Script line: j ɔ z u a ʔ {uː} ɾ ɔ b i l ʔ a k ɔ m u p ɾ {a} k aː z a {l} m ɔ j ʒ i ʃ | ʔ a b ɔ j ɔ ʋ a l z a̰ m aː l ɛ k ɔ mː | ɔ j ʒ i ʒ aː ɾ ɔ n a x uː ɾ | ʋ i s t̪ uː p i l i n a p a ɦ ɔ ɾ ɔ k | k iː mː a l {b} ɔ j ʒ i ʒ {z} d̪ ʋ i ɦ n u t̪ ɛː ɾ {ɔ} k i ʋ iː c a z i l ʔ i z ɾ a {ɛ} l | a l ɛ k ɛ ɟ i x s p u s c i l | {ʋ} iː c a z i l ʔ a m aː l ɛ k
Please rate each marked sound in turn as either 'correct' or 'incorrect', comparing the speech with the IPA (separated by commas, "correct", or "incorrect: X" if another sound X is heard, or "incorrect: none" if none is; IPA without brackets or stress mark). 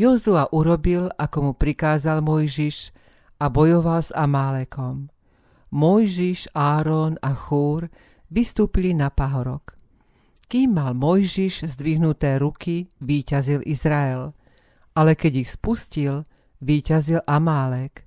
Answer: incorrect: u, incorrect: i, correct, incorrect: m, correct, incorrect: u, correct, correct